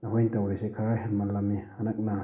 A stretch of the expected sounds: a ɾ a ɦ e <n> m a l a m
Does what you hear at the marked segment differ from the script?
no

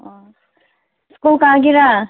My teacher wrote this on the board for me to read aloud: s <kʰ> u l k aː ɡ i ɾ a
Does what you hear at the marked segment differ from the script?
yes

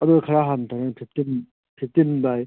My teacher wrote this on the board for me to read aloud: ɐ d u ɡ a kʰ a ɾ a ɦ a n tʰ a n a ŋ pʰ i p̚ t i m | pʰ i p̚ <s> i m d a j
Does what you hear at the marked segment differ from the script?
yes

